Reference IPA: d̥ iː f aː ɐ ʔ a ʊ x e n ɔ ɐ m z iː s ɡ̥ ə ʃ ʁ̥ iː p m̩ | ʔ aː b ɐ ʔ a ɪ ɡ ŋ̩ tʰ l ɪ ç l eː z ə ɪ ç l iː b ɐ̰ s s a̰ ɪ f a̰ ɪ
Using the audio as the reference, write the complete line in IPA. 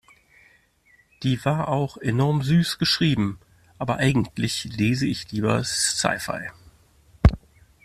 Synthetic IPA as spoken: d̥ iː v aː ɐ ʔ a ʊ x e n ɔ ɐ m z yː s ɡ̥ ə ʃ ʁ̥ iː b m̩ | ʔ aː b ɐ ʔ a ɪ ɡ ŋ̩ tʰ l ɪ ç l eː z ə ɪ ç l iː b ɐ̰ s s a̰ ɪ f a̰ ɪ